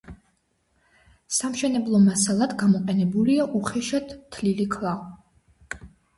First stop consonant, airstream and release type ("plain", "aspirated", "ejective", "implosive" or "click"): plain